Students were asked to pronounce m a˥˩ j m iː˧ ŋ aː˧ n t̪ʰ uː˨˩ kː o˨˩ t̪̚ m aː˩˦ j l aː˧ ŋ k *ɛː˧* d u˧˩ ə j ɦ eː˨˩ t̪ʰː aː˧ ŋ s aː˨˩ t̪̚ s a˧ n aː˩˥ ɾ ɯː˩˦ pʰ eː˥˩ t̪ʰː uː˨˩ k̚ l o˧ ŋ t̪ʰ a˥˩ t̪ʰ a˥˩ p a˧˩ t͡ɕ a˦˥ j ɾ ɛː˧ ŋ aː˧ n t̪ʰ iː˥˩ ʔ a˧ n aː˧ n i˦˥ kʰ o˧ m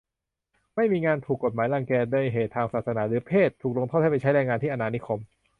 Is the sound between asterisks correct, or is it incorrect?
correct